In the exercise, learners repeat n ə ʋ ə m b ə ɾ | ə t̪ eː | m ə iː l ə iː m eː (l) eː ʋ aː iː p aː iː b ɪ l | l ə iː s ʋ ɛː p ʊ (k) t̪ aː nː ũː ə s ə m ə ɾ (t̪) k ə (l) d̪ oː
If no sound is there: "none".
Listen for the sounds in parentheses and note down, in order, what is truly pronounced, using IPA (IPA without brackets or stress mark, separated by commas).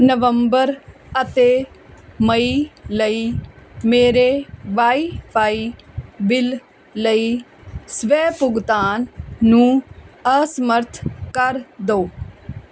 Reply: ɾ, ɡ, t̪ʰ, ɾ